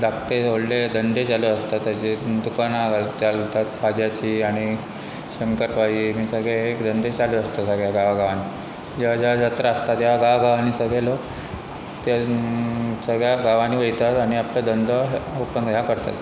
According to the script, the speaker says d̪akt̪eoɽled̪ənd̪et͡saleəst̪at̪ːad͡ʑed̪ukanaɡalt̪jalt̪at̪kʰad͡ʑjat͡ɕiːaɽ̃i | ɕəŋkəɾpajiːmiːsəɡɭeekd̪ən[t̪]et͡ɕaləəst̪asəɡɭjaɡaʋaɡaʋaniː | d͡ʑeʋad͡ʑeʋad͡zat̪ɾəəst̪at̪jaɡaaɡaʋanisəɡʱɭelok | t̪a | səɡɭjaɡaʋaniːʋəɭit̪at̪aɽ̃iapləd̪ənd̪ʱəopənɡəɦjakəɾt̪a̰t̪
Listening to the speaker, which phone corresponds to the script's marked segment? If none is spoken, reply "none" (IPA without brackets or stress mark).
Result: d̪